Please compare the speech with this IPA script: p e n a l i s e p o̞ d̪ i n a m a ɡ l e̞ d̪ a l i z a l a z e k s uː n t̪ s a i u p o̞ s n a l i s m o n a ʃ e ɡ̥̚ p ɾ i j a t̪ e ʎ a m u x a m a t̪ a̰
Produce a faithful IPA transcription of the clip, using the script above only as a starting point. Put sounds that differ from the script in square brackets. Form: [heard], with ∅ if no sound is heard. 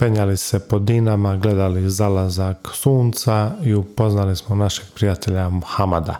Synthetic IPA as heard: p e [ɲ] a l i s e p o̞ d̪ i n a m a ɡ l e̞ d̪ a l i z a l a z [a] k s uː n t̪ s a i u p o̞ [z] n a l i s m o n a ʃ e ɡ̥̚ p ɾ i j a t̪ e ʎ a m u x a m a [d̪] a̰